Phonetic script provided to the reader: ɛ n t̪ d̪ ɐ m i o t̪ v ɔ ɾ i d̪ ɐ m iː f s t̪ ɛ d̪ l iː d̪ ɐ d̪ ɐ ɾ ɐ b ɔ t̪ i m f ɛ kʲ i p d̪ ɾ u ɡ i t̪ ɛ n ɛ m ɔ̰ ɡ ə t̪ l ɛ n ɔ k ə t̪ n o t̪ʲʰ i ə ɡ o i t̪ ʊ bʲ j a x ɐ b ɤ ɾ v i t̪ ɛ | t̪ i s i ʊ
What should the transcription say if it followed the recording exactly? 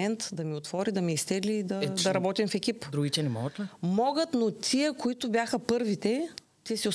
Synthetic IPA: ɛ n t̪ d̪ ɐ m i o t̪ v ɔ ɾ i d̪ ɐ m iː s t̪ ɛ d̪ l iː d̪ ɐ d̪ ɐ ɾ ɐ b ɔ t̪ i m f ɛ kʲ i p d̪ ɾ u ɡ i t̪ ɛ n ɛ m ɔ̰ ɡ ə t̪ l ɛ m ɔ ɡ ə t̪ n o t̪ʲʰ i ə k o i t̪ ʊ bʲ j a x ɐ p ɤ ɾ v i t̪ ɛ | t̪ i s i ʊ